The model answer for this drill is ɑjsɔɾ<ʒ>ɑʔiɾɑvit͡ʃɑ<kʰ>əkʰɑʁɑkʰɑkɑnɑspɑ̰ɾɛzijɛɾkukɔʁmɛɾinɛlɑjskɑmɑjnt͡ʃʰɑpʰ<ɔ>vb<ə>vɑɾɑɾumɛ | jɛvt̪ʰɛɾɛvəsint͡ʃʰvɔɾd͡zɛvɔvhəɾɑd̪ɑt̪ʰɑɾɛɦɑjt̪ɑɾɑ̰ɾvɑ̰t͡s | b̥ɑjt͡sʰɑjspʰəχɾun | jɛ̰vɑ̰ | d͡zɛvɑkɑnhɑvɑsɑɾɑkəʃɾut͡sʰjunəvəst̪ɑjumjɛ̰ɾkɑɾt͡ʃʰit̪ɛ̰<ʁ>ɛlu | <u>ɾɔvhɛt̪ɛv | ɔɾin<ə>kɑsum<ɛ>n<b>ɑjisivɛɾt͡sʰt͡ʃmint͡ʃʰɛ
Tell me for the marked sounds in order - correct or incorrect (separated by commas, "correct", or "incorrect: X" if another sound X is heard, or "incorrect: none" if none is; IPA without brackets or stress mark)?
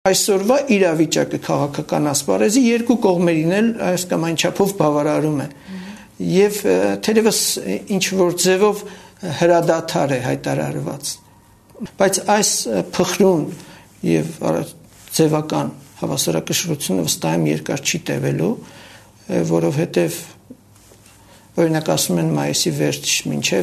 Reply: incorrect: v, incorrect: k, correct, incorrect: ɑ, incorrect: v, incorrect: ɔ, incorrect: ɑ, correct, incorrect: m